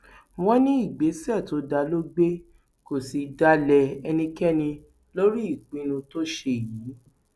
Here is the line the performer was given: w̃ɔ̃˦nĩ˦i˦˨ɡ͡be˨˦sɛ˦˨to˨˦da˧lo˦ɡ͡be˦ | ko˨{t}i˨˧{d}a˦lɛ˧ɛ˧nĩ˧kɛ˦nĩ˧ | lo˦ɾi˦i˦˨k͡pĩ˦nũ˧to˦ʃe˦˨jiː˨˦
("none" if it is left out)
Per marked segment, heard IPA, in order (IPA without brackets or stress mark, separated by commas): s, d